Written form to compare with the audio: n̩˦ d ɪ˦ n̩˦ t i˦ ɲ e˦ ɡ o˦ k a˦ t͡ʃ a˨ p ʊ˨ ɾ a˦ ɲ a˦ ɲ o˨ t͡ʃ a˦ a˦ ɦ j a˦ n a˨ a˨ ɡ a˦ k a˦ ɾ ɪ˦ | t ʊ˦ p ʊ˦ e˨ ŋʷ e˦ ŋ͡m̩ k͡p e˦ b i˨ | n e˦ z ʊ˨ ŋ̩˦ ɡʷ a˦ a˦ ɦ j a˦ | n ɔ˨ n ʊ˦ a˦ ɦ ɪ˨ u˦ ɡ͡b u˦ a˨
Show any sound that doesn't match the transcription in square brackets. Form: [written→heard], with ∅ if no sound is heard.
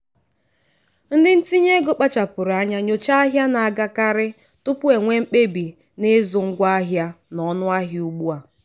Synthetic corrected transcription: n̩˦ d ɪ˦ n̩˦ t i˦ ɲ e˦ ɡ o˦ [k→k͡p] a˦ t͡ʃ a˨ p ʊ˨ ɾ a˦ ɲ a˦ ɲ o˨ t͡ʃ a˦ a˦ ɦ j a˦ n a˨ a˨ ɡ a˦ k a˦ ɾ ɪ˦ | t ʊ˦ p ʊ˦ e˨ ŋʷ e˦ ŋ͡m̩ k͡p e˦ b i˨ | n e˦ z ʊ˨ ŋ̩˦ ɡʷ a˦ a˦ ɦ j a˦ | n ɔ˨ n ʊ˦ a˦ ɦ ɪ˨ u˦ ɡ͡b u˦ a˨

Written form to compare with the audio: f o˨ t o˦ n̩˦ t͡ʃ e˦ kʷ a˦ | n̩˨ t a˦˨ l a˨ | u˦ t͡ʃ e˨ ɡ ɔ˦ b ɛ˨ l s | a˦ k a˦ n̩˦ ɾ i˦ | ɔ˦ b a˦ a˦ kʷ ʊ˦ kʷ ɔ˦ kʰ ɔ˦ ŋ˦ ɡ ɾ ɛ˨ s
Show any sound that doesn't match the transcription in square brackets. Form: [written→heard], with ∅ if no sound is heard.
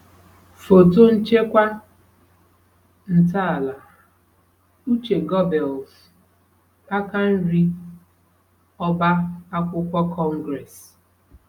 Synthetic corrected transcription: f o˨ t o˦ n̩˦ t͡ʃ e˦ kʷ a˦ | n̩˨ t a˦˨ l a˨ | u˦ t͡ʃ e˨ ɡ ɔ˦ b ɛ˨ l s | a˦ k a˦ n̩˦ ɾ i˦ | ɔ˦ b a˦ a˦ kʷ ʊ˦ kʷ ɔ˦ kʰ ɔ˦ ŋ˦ ɡ ɾ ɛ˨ s

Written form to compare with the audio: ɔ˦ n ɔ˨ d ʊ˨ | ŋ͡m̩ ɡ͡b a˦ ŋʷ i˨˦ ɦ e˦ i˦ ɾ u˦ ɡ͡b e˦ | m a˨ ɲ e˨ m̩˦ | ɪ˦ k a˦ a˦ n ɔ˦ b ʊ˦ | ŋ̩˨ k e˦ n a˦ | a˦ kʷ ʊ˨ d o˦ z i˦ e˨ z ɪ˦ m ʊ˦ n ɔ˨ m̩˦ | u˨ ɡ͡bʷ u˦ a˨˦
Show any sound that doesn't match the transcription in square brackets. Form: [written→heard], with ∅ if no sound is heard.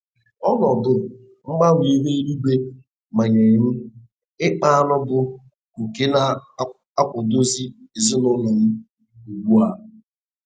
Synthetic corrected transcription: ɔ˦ n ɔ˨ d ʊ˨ | ŋ͡m̩ ɡ͡b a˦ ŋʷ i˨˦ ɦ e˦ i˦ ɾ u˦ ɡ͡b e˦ | m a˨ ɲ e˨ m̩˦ | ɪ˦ [k→k͡p] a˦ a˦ n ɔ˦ b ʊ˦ | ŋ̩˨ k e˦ n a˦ | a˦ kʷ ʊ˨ d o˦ z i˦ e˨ z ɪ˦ [m→n] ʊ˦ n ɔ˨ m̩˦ | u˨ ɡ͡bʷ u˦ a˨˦

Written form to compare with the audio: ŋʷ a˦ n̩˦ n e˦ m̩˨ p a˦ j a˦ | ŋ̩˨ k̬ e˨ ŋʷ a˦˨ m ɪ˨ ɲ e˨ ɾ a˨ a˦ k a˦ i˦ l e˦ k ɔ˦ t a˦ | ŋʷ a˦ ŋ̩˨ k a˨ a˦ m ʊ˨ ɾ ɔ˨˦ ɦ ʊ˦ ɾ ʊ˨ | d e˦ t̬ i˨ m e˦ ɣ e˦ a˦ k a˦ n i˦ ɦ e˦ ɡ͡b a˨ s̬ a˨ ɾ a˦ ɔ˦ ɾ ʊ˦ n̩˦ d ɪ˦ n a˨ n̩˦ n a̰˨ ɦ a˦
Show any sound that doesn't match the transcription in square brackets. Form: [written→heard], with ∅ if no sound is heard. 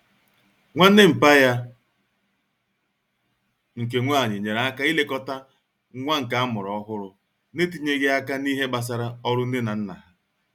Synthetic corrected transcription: ŋʷ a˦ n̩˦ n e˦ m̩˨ p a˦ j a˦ | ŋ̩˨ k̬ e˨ ŋʷ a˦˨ [m→ɲ] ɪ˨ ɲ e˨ ɾ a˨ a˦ k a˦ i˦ l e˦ k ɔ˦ t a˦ | ŋʷ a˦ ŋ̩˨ k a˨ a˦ m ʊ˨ ɾ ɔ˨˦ ɦ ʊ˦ ɾ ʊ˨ | [d→n] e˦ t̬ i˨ [m→ɲ] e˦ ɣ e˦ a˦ k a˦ n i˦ ɦ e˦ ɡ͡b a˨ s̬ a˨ ɾ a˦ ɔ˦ ɾ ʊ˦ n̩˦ d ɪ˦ n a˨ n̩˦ n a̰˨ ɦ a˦

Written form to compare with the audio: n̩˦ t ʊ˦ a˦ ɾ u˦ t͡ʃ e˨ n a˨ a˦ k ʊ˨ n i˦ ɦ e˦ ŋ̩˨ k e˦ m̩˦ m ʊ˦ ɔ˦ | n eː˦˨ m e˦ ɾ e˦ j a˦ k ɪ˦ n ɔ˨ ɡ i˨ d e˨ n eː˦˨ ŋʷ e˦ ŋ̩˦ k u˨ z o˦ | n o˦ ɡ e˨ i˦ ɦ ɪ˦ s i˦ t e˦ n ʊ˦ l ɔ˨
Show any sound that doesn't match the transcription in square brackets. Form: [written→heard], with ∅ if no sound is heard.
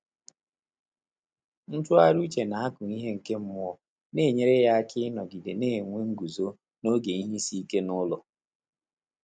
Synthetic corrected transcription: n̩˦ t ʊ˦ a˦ ɾ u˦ t͡ʃ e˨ n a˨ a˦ k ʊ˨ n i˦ ɦ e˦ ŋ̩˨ k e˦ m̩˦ m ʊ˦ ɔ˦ | n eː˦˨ [m→ɲ] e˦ ɾ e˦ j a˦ k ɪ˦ n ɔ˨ ɡ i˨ d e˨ n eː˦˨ ŋʷ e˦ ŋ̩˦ [k→ɡ] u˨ z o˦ | n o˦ ɡ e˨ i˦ ɦ [ɪ˦→i˦] s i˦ [t→k] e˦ n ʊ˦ l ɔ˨

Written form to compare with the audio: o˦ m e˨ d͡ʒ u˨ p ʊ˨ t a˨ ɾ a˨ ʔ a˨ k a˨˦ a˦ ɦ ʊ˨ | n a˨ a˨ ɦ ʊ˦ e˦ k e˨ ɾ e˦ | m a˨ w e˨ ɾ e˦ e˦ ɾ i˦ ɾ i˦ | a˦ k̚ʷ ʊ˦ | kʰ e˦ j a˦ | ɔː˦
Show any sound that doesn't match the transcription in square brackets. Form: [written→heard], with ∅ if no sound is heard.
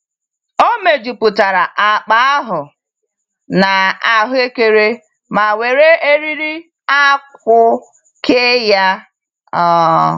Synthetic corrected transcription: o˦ m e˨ d͡ʒ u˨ p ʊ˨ t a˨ ɾ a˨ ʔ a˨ [k→k͡p] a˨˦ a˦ ɦ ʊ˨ | n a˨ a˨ ɦ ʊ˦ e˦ k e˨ ɾ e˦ | m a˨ w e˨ ɾ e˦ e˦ ɾ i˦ ɾ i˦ | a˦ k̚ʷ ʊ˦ | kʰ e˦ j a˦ | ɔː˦

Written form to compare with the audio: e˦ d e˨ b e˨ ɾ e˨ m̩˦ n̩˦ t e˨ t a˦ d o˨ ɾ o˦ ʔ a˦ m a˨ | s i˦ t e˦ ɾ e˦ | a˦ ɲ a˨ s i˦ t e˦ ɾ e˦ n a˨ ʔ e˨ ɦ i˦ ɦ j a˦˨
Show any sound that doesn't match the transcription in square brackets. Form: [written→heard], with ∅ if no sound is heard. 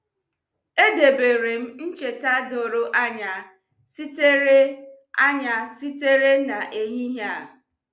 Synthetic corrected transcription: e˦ d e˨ b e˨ ɾ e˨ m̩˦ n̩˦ [t→t͡ʃ] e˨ t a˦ d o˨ ɾ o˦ ʔ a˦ [m→ɲ] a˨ | s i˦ t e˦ ɾ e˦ | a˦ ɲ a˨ s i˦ t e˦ ɾ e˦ n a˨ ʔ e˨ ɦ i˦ ɦ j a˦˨

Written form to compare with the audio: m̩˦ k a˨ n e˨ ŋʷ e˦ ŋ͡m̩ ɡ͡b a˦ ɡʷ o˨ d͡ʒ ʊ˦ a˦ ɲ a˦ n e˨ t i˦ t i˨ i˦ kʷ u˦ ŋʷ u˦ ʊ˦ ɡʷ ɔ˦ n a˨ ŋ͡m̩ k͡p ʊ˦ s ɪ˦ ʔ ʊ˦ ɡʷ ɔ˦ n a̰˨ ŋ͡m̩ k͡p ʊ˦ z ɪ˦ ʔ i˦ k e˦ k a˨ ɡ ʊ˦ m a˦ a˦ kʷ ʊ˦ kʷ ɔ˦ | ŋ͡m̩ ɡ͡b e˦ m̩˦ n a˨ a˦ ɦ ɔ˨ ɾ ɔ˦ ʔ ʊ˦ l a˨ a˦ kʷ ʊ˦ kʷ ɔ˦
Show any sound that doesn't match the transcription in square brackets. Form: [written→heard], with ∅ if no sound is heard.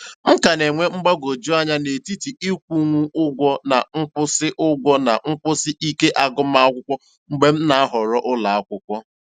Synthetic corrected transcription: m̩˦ k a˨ n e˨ ŋʷ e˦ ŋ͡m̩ ɡ͡b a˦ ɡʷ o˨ d͡ʒ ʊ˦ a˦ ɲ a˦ n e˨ t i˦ t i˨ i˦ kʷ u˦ ŋʷ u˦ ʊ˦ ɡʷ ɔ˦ n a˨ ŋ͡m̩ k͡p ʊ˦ s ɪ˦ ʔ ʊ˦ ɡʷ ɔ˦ n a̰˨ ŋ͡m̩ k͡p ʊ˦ [z→s] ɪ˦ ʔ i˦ k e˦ [k→ʔ] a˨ ɡ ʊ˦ m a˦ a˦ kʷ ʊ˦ kʷ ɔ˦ | ŋ͡m̩ ɡ͡b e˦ m̩˦ n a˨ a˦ ɦ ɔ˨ ɾ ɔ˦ ʔ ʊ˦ l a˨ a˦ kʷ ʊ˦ kʷ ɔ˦

